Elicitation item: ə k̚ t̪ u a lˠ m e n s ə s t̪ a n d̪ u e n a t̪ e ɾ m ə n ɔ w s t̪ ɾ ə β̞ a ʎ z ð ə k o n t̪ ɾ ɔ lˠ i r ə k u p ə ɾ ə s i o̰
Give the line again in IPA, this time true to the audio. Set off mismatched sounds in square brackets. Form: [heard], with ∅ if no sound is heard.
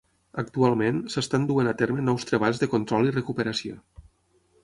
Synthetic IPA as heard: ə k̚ t̪ u a lˠ m e n s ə s t̪ a n d̪ u e n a t̪ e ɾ m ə n ɔ w s t̪ ɾ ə β̞ a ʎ z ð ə k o n t̪ ɾ ɔ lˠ i r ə k u p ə ɾ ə s i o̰